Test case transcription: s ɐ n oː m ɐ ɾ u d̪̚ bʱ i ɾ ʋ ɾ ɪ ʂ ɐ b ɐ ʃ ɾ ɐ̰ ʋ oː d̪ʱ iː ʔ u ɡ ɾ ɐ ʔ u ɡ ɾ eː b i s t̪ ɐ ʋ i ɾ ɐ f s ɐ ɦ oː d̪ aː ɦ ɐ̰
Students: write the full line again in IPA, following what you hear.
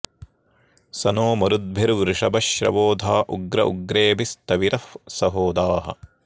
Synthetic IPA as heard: s ɐ n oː m ɐ ɾ u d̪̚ bʱ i ɾ ʋ ɾ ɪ ʂ ɐ b ɐ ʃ ɾ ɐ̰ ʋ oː d̪ʱ aː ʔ u ɡ ɾ ɐ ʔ u ɡ ɾ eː b i s t̪ ɐ ʋ i ɾ ɐ f s ɐ ɦ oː d̪ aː ɦ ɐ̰

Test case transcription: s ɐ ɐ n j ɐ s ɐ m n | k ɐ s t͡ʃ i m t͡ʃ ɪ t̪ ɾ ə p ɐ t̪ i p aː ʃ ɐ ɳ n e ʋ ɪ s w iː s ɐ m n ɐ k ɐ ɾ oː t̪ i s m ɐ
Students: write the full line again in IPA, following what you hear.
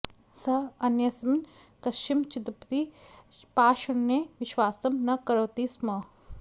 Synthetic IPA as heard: s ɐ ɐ n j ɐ s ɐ m n | k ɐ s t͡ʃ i m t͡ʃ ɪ t̪ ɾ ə p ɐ t̪ i p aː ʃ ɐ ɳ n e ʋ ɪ ʃ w aː s ɐ m n ɐ k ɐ ɾ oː t̪ i s m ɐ

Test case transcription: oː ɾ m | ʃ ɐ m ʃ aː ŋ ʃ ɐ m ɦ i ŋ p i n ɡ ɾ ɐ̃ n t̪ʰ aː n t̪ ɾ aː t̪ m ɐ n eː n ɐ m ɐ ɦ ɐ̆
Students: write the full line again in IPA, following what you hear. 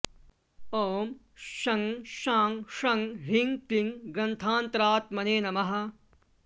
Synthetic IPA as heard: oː m | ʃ ɐ ŋ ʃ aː ŋ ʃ ɐ ŋ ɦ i ŋ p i ŋ ɡ ɾ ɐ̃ n t̪ʰ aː n t̪ ɾ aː t̪ m ɐ n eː n ɐ m ɐ ɦ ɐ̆

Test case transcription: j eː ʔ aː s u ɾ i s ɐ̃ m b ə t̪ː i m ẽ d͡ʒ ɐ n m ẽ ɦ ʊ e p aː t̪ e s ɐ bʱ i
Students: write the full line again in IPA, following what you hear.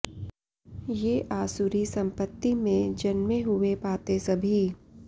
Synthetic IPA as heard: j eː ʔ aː s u ɾ i s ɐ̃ m p ə t̪ː i m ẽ d͡ʒ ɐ n m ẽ ɦ ʊ e p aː t̪ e s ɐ bʱ i

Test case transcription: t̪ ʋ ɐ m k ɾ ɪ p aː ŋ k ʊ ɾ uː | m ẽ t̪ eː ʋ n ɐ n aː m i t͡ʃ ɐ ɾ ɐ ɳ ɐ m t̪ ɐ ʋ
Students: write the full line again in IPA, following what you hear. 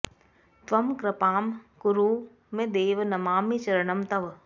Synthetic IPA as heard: t̪ ʋ ɐ m k ɾ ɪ p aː m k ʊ ɾ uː | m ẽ d̪ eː ʋ n ɐ m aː m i t͡ʃ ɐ ɾ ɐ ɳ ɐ m t̪ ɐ ʋ

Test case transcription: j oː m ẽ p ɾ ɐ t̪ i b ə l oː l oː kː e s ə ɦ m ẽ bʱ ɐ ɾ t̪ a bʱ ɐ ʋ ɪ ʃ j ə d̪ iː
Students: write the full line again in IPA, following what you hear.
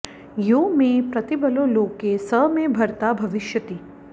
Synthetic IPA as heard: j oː m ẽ p ɾ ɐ t̪ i b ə l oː l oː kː e s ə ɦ m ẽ bʱ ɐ ɾ t̪ a bʱ ɐ ʋ ɪ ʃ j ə t̪ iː

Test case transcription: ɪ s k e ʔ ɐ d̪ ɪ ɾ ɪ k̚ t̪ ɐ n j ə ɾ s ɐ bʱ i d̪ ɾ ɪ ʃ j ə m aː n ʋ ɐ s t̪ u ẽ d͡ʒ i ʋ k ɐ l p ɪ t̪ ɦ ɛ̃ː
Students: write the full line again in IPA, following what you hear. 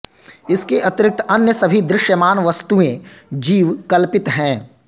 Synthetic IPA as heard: ɪ s k e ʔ ɐ t̪ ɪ ɾ ɪ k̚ t̪ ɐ n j ə s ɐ bʱ i d̪ ɾ ɪ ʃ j ə m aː n ʋ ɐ s t̪ u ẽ d͡ʒ iː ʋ k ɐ l p ɪ t̪ ɦ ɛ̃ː

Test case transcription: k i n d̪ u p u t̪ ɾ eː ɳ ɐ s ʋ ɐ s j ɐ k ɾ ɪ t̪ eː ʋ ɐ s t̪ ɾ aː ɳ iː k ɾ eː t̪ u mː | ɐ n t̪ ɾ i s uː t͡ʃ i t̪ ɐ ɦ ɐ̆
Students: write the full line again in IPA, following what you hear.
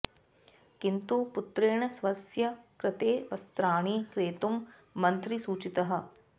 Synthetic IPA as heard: k i n t̪ u p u t̪ ɾ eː ɳ ɐ s ʋ ɐ s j ɐ k ɾ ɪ t̪ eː ʋ ɐ s t̪ ɾ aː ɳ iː k ɾ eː t̪ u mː | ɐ n t̪ ɾ i s uː t͡ʃ i t̪ ɐ ɦ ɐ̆

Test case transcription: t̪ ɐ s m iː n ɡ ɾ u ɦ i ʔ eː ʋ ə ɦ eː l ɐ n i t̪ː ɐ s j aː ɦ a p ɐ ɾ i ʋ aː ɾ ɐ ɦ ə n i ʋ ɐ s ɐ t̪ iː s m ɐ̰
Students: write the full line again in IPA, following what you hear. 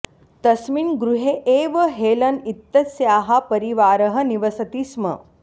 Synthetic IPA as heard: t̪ ɐ s m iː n ɡ ɾ u ɦ e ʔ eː ʋ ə ɦ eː l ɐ n i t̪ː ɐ s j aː ɦ a p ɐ ɾ i ʋ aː ɾ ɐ ɦ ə n i ʋ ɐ s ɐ t̪ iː s m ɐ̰

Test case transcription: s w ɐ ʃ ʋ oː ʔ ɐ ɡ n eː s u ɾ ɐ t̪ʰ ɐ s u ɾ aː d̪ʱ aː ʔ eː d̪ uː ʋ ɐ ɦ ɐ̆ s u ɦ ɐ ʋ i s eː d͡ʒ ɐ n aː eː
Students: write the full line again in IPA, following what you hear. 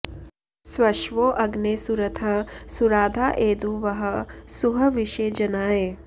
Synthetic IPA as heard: s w ɐ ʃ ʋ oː ʔ ɐ ɡ n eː s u ɾ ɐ t̪ʰ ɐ s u ɾ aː d̪ʱ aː ʔ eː d̪ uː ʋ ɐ ɦ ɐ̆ s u ɦ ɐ ʋ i ʃ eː d͡ʒ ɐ n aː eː

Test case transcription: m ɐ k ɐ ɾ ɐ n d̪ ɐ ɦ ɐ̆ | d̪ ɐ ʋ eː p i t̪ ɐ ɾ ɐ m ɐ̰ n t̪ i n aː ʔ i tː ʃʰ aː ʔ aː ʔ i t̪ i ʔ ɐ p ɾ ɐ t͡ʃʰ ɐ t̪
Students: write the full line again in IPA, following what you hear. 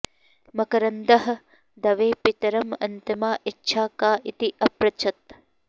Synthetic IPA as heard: m ɐ k ɐ ɾ ɐ n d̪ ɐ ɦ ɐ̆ | d̪ ɐ ʋ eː p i t̪ ɐ ɾ ɐ m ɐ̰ n t̪ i m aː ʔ i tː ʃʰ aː k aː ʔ i t̪ i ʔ ɐ p ɾ ɐ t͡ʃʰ ɐ t̪

